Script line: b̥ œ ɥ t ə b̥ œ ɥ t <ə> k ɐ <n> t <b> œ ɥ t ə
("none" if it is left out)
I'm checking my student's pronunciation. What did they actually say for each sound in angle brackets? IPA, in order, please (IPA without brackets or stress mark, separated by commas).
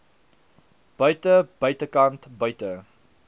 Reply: ə, n, b